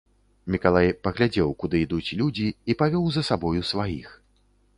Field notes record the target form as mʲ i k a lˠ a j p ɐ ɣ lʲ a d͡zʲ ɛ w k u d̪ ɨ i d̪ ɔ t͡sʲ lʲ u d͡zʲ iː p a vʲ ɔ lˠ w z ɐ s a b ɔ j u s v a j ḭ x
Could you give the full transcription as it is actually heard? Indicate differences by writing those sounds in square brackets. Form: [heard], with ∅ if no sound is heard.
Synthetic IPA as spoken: mʲ i k a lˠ a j p ɐ ɣ lʲ a d͡zʲ ɛ w k u d̪ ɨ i d̪ [u] t͡sʲ lʲ u d͡zʲ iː p a vʲ ɔ [∅] w z ɐ s a b ɔ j u s v a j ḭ x

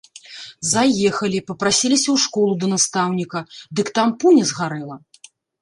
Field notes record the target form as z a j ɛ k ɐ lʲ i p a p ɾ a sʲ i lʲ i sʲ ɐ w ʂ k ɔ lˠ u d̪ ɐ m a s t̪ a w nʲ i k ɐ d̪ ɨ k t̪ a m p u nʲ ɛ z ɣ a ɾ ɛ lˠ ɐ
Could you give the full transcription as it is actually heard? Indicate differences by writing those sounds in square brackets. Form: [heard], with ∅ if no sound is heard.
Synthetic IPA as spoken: z a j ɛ [x] ɐ lʲ i p [ɐ] p ɾ a sʲ i lʲ i sʲ ɐ w ʂ k ɔ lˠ u d̪ ɐ [n] a s t̪ a w nʲ i k ɐ d̪ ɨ k t̪ a m p u nʲ ɛ z ɣ a ɾ ɛ lˠ ɐ

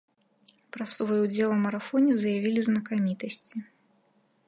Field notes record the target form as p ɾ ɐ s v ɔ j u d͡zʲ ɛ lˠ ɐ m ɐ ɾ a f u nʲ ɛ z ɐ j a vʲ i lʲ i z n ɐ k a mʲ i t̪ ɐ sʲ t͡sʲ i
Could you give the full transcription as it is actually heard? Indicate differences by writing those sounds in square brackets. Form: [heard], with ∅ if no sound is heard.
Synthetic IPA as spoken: p ɾ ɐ s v ɔ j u d͡zʲ ɛ lˠ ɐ m ɐ ɾ a f [ɔ] nʲ ɛ z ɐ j a vʲ i lʲ i z n ɐ k a mʲ i t̪ ɐ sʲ t͡sʲ i

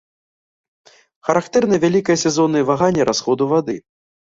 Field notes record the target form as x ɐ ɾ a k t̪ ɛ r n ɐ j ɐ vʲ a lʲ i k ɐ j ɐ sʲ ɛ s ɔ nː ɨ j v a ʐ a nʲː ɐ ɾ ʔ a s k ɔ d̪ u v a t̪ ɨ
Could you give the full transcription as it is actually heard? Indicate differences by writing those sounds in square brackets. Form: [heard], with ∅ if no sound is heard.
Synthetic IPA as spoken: x ɐ ɾ a k t̪ ɛ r n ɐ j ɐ vʲ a lʲ i k ɐ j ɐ sʲ ɛ [z] ɔ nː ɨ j v a [ɣ] a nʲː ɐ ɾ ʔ a s [x] ɔ d̪ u v a [d̪] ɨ

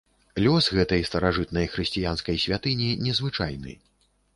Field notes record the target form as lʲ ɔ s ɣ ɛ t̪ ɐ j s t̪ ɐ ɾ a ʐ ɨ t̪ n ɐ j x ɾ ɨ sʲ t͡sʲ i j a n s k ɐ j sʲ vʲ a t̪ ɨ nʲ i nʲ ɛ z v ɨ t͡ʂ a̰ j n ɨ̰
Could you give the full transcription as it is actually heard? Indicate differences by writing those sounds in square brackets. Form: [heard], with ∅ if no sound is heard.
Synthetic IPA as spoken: lʲ ɔ s ɣ ɛ t̪ ɐ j s t̪ ɐ ɾ a ʐ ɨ t̪ n ɐ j x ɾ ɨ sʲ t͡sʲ i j a n s k ɐ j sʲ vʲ a t̪ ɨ nʲ i nʲ ɛ z v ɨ t͡ʂ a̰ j n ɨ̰

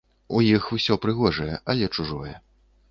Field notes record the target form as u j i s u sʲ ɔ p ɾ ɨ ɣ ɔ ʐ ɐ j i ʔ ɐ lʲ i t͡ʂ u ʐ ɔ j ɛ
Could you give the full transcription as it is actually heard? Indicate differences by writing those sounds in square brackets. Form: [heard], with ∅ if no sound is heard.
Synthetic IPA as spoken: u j i [x] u sʲ ɔ p ɾ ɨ ɣ ɔ ʐ ɐ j [ɛ] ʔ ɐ lʲ [ɛ] t͡ʂ u ʐ ɔ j ɛ

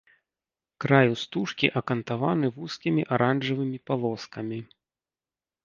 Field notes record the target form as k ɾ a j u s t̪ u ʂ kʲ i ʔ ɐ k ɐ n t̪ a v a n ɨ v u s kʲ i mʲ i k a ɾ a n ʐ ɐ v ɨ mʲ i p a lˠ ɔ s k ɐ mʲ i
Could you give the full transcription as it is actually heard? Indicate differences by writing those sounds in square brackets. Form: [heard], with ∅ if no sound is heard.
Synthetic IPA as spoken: k ɾ a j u s t̪ u ʂ kʲ i ʔ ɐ k ɐ n t̪ a v a n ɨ v u s kʲ i mʲ i [ʔ] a ɾ a n ʐ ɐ v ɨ mʲ i p a lˠ ɔ s k ɐ mʲ i

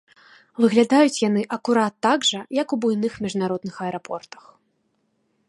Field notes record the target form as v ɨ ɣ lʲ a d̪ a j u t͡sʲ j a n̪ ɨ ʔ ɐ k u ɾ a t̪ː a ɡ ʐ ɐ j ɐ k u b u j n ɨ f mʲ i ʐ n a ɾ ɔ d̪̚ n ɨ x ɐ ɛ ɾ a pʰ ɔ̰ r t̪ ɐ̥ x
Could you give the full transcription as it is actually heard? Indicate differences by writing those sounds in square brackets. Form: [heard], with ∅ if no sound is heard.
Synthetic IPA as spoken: v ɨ ɣ lʲ a d̪ a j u t͡sʲ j a n̪ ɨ ʔ ɐ k u ɾ a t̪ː a ɡ ʐ ɐ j ɐ k u b u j n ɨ [x] mʲ i ʐ n a ɾ ɔ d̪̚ n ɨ x ɐ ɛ ɾ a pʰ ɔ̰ r t̪ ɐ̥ x

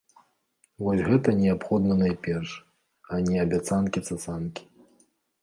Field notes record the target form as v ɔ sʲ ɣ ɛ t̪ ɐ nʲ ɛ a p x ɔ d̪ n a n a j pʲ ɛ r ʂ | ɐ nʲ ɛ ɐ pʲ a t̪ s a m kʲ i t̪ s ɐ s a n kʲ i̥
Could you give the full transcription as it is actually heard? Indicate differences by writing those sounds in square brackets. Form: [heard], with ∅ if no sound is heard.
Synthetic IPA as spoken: v ɔ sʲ ɣ ɛ t̪ ɐ nʲ ɛ a p x ɔ d̪ n [ɐ] n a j pʲ ɛ r ʂ | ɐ nʲ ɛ ɐ [bʲ] a t̪ s a [n] kʲ i t̪ s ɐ s a n kʲ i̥

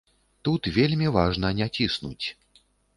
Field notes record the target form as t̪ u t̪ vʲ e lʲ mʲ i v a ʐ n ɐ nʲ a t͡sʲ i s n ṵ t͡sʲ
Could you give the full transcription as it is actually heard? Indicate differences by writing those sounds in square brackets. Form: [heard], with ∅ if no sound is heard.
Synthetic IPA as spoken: t̪ u t̪ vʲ e lʲ mʲ i v a ʐ n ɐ nʲ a t͡sʲ i s n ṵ t͡sʲ

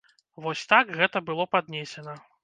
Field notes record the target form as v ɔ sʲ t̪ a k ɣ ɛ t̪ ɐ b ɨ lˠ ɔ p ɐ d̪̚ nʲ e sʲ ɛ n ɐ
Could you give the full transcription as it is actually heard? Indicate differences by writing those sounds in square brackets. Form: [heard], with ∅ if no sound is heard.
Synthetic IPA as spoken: v ɔ sʲ t̪ a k ɣ ɛ t̪ ɐ b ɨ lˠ ɔ p [a] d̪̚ nʲ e sʲ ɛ n ɐ

